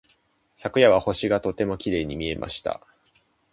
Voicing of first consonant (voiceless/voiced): voiceless